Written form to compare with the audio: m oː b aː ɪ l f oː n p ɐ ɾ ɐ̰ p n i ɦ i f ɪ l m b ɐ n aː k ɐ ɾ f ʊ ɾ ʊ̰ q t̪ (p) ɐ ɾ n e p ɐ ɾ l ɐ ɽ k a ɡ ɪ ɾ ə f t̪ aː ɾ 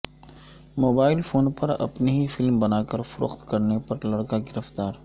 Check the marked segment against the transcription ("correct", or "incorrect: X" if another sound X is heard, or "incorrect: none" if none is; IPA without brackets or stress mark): incorrect: k